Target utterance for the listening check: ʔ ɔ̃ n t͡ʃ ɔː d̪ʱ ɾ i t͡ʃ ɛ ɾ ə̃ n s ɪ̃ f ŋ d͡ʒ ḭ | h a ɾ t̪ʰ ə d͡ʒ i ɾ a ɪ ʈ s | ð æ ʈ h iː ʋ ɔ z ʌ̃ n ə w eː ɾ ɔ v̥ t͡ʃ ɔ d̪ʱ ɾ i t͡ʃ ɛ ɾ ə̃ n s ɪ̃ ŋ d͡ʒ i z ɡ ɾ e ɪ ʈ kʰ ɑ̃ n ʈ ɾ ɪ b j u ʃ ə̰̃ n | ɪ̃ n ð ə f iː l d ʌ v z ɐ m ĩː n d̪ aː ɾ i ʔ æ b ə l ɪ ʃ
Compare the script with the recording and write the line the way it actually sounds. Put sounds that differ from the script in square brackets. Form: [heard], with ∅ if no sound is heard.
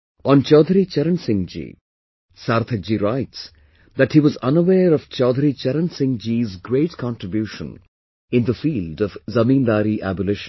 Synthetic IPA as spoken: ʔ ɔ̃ n t͡ʃ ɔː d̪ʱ ɾ i t͡ʃ ɛ ɾ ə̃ n s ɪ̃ [∅] ŋ d͡ʒ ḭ | [s] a ɾ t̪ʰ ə d͡ʒ i ɾ a ɪ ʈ s | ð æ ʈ h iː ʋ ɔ z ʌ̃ n ə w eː ɾ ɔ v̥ t͡ʃ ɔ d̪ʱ ɾ i t͡ʃ ɛ ɾ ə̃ n s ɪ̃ ŋ d͡ʒ i z ɡ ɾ e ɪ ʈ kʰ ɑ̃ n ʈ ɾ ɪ b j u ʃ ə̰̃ n | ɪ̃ n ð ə f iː l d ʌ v z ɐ m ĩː n d̪ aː ɾ i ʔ æ b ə l ɪ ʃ

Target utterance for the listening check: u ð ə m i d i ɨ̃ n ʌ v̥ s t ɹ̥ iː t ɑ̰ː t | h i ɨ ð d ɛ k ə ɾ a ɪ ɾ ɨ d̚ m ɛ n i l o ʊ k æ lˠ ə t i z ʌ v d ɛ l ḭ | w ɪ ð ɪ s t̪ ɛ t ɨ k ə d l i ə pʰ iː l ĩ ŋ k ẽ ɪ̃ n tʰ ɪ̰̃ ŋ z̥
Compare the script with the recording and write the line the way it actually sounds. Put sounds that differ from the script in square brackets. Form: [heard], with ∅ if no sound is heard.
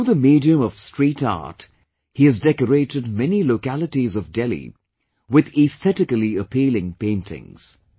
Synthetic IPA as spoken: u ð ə m i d i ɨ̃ [m] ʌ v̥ s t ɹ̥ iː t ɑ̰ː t | h i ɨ [z] d ɛ k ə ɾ [e] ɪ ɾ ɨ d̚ m ɛ n i l o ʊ k æ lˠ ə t i z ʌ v d ɛ l ḭ | w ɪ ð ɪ s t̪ ɛ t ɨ k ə [∅] l i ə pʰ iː l [ɪ̃] ŋ [p] ẽ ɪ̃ n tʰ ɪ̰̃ ŋ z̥

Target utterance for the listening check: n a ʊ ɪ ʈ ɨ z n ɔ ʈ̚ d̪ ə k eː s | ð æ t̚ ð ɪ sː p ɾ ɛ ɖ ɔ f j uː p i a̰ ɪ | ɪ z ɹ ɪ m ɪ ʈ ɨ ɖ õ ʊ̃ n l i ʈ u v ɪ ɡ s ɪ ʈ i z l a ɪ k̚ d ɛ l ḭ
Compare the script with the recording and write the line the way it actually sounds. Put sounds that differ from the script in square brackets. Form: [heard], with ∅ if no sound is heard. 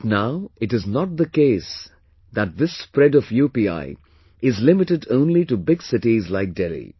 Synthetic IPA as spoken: n a ʊ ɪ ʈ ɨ z n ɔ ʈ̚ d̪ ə k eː s | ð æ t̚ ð ɪ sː p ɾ ɛ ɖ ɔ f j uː p i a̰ ɪ | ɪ z [l] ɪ m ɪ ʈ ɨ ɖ õ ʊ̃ n l i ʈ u [b] ɪ ɡ s ɪ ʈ i z l a ɪ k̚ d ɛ l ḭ

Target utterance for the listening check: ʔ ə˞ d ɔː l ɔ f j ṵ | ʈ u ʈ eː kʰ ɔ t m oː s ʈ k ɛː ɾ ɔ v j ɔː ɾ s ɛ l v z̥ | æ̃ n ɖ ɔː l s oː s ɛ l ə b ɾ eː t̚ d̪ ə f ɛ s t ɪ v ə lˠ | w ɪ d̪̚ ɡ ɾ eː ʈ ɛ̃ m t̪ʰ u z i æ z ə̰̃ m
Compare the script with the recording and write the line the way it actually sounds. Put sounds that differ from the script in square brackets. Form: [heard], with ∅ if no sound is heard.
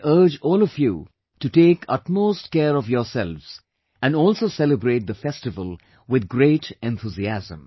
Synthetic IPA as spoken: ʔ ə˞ [d͡ʒ] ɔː l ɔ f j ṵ | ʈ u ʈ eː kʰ [ʌ] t m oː s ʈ k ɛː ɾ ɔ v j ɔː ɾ s ɛ l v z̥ | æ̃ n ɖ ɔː l s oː s ɛ l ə b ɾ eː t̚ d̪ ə f ɛ s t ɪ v ə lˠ | w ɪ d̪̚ ɡ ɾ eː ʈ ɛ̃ [n] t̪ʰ u z i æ z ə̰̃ m

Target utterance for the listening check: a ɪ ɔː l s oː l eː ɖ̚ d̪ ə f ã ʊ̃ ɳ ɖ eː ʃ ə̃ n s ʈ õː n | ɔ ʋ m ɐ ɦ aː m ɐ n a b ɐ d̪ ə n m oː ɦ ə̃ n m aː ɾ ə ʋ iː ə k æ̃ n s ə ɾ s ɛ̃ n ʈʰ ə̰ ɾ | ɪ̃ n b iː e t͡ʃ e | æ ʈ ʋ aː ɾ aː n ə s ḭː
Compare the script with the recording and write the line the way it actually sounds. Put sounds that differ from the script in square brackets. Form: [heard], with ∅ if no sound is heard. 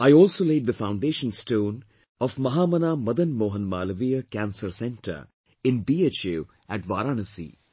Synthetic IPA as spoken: a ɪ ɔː l s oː l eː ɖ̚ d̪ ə f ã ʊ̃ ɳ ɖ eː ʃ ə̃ n s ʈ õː n | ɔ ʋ m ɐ ɦ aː m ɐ n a [m] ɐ d̪ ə n m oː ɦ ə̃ n m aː [l] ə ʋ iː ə k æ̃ n s ə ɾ s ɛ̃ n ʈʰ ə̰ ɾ | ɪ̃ n b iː e t͡ʃ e | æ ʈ ʋ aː ɾ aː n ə s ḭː

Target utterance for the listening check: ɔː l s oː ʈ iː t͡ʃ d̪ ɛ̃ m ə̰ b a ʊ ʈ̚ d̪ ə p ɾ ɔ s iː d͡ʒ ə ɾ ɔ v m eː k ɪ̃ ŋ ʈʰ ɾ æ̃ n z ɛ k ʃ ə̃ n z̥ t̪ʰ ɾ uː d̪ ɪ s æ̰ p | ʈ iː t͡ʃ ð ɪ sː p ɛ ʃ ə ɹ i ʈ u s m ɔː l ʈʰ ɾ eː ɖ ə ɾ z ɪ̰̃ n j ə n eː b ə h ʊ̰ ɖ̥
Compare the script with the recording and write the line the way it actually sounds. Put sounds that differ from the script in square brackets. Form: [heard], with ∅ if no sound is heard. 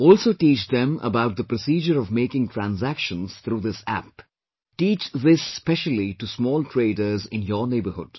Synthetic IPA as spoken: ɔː l s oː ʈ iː t͡ʃ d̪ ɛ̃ m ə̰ b a ʊ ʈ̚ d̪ ə p ɾ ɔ s iː d͡ʒ ə ɾ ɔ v m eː k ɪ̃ ŋ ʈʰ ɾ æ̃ n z [æ] k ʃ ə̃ n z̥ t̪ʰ ɾ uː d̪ ɪ s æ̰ p | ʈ iː t͡ʃ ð ɪ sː p ɛ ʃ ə [l] i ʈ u s m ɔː l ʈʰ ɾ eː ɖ ə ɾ z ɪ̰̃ n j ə n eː b ə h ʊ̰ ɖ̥

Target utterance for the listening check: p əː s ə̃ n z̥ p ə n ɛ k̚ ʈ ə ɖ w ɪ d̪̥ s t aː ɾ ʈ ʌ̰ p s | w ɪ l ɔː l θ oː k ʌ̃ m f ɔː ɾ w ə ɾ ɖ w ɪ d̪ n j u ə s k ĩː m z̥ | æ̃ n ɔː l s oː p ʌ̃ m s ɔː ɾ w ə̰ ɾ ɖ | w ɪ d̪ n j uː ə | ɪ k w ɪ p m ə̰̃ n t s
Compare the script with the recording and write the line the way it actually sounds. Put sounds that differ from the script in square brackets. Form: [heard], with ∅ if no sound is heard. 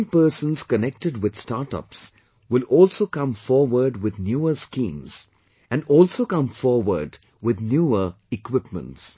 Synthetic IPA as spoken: p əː s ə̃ n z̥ [k] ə n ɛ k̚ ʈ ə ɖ w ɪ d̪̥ s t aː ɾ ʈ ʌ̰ p s | w ɪ l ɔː l [s] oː k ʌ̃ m f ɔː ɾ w ə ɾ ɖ w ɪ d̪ n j u ə s k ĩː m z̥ | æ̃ n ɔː l s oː [k] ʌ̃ m [f] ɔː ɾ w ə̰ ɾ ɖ | w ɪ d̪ n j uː ə | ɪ k w ɪ p m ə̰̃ n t s

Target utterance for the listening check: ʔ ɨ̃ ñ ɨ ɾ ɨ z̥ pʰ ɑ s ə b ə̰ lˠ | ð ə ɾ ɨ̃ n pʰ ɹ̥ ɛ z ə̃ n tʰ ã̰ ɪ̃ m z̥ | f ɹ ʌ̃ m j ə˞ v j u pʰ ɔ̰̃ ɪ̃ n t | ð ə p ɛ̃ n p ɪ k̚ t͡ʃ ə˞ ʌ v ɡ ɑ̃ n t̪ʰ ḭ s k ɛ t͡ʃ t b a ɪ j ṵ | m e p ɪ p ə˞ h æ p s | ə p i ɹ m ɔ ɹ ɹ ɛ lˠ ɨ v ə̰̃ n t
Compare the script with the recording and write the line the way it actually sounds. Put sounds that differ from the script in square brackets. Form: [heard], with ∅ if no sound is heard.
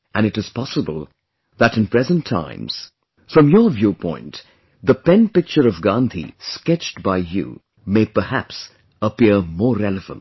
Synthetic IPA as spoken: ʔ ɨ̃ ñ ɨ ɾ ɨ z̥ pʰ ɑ s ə b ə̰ lˠ | ð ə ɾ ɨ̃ n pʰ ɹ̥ ɛ z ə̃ n tʰ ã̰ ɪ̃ m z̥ | f ɹ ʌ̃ m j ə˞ v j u pʰ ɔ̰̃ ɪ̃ n t | ð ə p ɛ̃ n p ɪ k̚ t͡ʃ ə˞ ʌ v ɡ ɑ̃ n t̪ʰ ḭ s k ɛ t͡ʃ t b a ɪ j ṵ | m e [∅] ɪ p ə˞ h æ p s | ə p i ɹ m ɔ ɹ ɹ ɛ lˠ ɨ v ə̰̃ n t

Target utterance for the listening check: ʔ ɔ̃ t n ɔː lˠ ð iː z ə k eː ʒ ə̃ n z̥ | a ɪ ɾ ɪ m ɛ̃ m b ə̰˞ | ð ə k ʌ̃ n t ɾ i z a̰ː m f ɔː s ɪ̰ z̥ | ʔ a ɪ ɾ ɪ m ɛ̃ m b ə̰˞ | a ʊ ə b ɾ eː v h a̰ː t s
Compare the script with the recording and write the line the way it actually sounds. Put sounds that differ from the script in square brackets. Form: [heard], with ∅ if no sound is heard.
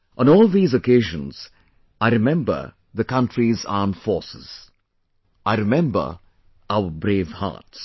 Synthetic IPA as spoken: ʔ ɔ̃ [∅] n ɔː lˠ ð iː z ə k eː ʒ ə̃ n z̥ | a ɪ ɾ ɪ m ɛ̃ m b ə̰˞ | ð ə k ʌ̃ n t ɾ i z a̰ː m f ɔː s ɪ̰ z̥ | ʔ a ɪ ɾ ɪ m ɛ̃ m b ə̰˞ | a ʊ ə b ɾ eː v h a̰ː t s

